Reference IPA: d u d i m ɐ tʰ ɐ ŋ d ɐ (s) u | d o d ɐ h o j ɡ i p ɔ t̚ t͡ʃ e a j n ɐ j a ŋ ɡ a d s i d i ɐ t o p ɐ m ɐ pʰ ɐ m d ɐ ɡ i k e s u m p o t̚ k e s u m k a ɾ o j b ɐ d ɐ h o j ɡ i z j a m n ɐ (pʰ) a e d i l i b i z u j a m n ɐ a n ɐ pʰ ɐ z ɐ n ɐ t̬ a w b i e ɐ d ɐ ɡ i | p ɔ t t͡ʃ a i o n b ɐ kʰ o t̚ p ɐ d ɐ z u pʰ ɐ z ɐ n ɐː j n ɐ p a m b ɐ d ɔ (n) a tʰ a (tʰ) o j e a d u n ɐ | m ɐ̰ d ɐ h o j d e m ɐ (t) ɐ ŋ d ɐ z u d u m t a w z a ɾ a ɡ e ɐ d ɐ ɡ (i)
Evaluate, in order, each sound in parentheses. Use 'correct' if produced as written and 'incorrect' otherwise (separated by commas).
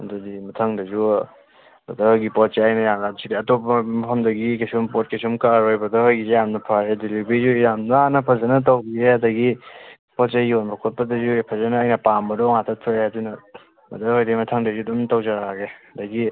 incorrect, correct, incorrect, correct, incorrect, correct